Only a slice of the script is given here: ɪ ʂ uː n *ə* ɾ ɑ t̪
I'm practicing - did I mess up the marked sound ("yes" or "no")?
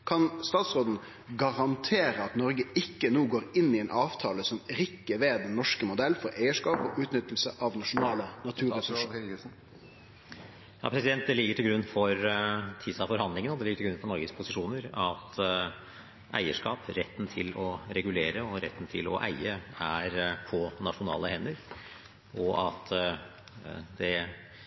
no